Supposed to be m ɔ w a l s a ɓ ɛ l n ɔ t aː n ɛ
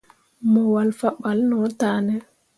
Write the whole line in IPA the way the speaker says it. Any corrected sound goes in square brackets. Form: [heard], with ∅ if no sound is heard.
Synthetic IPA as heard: m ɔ w a l [f] a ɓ [a] l n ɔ t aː n ɛ